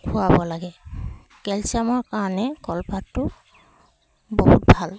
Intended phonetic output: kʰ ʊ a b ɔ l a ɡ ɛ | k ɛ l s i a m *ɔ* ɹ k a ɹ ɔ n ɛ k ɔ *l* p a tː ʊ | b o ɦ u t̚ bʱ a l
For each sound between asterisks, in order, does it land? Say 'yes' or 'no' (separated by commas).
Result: yes, yes